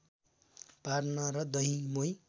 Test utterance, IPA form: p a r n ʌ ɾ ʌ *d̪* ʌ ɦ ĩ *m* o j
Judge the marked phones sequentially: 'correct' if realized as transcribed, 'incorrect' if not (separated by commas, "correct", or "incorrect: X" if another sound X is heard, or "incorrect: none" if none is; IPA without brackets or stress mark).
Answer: correct, correct